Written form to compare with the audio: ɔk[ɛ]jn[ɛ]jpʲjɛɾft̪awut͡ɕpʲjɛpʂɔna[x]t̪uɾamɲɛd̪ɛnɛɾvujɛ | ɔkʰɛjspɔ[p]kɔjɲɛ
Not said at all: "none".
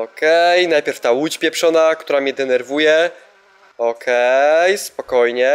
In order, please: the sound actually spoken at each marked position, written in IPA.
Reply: ɛ, a, k, none

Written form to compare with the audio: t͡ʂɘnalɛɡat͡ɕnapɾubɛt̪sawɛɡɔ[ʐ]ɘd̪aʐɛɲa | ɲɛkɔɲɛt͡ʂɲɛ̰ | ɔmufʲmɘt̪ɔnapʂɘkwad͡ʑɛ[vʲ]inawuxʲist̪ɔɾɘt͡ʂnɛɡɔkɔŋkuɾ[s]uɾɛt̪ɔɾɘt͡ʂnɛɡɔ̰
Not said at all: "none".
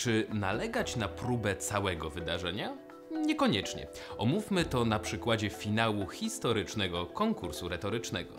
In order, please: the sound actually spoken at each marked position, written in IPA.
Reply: v, fʲ, s

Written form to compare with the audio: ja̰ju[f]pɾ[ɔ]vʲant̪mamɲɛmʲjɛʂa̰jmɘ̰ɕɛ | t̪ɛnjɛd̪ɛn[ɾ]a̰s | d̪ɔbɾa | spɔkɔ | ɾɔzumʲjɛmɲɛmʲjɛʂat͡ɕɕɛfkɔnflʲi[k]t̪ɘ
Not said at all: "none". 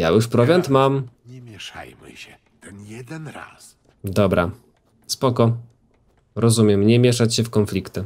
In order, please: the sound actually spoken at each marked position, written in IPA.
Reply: ʂ, ɔ, ɾ, k

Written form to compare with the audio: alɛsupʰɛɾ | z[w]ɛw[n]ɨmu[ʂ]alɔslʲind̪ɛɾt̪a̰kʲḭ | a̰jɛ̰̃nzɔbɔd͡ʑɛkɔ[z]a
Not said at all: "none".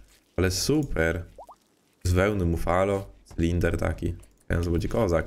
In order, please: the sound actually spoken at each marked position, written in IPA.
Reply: v, n, f, z

